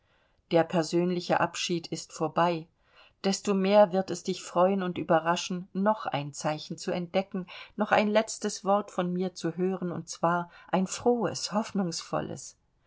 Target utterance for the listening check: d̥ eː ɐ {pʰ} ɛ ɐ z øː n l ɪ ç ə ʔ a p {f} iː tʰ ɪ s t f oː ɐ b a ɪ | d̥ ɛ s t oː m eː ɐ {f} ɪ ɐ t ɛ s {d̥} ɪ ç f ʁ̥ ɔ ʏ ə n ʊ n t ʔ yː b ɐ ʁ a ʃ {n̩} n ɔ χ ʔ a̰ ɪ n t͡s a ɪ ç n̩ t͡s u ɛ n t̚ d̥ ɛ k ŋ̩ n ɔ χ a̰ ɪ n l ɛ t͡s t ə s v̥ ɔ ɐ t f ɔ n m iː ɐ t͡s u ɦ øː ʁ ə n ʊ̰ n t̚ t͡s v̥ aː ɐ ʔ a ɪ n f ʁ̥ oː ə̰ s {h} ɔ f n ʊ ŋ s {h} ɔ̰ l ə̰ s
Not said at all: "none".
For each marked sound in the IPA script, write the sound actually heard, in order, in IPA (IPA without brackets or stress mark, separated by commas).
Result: pʰ, ʃ, v, d̥, n̩, h, f